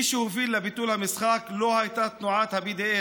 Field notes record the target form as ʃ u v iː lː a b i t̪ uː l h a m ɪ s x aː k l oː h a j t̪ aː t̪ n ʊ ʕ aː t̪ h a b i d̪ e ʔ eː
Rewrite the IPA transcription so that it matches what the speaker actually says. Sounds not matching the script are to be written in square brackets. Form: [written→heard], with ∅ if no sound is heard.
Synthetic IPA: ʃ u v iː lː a b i t̪ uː l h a m ɪ s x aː k l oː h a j t̪ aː t̪ n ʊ ʕ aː t̪ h a b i d̪ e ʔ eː